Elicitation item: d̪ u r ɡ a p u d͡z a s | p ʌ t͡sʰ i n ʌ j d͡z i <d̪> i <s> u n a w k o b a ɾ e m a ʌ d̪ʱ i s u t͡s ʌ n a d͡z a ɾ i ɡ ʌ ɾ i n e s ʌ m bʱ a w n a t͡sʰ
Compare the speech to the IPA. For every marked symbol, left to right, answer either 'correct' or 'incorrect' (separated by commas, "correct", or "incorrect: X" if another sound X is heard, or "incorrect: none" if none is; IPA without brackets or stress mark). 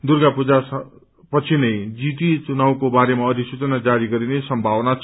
incorrect: t̪, incorrect: t͡s